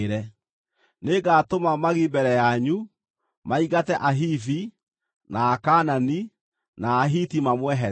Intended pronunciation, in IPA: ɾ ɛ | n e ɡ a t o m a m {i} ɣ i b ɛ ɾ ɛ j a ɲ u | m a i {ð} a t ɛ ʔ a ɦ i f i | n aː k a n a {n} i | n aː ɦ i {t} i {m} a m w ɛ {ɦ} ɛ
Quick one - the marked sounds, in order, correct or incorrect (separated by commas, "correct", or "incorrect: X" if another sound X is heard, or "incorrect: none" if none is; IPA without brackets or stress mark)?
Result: incorrect: a, incorrect: ɣ, correct, correct, correct, correct